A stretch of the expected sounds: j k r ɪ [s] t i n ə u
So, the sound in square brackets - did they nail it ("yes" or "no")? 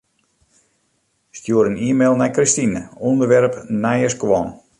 yes